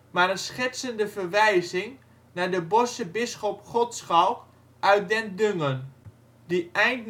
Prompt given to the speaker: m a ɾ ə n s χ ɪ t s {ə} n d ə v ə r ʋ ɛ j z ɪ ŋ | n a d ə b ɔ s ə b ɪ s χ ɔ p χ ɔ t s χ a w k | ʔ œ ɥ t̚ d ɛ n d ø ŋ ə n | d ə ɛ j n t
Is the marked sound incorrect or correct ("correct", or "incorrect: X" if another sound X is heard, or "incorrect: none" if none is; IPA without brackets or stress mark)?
correct